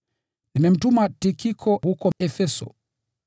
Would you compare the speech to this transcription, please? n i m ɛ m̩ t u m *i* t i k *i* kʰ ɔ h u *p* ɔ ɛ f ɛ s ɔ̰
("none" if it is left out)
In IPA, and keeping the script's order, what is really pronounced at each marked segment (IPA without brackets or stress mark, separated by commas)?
a, i, k